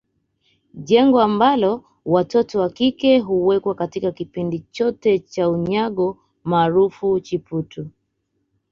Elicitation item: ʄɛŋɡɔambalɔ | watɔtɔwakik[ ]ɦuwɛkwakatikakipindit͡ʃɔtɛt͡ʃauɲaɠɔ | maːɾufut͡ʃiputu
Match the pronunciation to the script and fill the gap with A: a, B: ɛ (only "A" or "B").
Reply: B